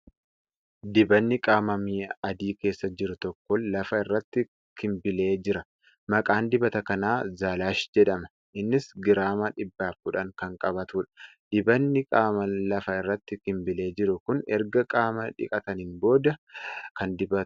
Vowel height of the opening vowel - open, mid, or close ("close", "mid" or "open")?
close